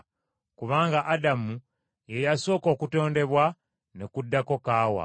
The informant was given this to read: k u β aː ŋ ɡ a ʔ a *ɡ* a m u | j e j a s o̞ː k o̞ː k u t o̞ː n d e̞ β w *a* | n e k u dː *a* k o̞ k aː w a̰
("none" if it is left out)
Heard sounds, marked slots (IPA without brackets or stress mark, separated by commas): d, a, a